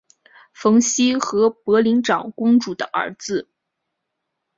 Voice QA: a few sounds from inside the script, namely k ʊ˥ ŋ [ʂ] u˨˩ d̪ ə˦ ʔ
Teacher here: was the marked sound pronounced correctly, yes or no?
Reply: no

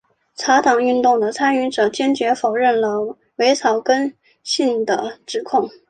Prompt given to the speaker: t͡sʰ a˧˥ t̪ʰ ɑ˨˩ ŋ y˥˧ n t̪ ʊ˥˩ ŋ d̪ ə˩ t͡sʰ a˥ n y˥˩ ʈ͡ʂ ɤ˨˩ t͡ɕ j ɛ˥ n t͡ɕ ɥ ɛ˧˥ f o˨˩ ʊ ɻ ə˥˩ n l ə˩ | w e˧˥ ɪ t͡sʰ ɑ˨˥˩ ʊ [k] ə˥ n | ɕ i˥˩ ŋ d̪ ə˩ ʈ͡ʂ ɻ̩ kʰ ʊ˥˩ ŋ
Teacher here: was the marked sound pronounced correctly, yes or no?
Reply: yes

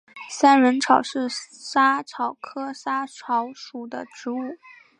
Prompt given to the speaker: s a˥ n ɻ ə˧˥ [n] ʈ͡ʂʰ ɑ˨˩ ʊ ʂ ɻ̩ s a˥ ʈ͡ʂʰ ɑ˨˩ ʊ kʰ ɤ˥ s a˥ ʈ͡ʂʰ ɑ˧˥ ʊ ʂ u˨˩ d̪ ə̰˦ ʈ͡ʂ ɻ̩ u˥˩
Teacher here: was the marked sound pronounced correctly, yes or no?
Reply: yes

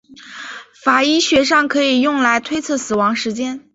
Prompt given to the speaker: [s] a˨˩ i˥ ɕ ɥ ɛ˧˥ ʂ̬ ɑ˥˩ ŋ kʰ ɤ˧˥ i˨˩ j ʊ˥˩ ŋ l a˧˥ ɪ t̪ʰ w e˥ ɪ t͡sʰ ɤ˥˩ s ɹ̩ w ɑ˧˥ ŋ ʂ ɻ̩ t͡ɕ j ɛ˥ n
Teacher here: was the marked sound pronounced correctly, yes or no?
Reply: no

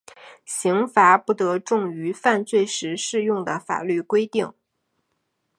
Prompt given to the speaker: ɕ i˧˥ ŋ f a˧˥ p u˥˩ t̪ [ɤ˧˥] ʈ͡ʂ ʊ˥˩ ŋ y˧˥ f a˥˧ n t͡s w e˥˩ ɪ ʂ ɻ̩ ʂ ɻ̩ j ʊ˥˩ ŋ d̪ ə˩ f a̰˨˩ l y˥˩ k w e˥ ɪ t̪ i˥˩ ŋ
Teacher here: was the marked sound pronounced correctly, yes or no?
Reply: yes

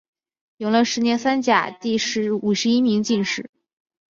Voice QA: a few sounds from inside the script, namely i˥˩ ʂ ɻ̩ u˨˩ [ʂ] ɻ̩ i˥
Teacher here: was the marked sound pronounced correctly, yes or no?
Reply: yes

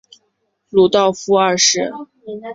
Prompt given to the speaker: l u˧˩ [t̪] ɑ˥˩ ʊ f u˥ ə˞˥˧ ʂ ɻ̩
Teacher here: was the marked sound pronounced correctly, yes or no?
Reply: yes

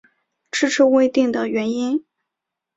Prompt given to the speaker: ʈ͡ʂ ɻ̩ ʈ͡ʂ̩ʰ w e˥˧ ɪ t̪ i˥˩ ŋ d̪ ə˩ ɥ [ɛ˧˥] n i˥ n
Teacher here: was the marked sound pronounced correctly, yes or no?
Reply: yes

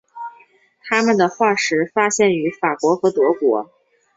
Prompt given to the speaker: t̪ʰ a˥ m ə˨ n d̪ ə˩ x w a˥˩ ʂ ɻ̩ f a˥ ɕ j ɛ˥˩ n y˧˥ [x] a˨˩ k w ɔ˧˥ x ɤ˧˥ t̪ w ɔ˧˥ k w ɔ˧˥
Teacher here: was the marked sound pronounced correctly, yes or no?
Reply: no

